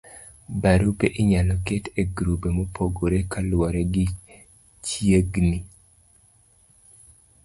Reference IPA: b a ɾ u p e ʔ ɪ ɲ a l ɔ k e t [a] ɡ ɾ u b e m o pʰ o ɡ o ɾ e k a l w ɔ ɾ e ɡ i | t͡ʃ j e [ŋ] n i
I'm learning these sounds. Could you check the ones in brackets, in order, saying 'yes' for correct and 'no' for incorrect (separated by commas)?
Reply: no, no